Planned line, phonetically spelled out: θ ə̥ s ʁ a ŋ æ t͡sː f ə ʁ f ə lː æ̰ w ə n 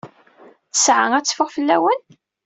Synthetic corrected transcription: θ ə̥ s ʕ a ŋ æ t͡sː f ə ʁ f ə lː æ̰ w ə n